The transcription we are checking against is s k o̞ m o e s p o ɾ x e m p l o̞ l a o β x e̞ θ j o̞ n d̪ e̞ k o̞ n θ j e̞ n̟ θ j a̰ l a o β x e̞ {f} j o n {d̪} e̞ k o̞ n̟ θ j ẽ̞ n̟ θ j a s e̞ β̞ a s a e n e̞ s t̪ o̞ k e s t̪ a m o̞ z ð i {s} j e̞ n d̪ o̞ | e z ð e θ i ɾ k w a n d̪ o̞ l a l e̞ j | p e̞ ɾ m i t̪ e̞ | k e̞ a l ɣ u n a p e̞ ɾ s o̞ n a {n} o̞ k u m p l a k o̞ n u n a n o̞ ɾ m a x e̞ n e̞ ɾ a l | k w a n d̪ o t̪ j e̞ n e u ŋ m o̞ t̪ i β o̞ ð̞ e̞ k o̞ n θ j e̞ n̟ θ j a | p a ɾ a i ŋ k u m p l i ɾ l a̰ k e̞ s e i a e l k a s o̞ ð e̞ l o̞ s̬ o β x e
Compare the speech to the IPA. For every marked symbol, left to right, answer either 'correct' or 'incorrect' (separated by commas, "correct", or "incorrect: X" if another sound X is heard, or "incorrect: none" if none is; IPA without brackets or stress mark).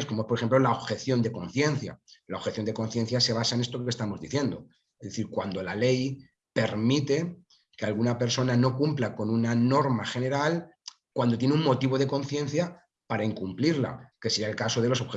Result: incorrect: θ, correct, incorrect: θ, correct